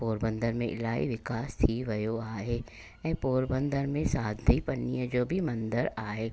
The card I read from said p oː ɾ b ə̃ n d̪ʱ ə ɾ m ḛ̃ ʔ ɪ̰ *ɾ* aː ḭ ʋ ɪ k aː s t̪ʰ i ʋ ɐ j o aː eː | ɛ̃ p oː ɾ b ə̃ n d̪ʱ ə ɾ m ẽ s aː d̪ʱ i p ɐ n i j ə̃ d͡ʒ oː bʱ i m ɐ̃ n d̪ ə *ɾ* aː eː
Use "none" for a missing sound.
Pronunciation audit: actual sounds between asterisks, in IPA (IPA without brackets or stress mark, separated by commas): l, ɾ